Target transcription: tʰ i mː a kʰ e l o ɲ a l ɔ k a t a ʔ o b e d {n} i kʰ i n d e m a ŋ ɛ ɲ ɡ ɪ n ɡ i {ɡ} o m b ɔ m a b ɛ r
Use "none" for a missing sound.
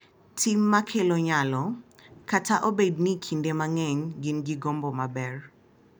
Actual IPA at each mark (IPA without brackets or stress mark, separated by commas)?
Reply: n, ɡ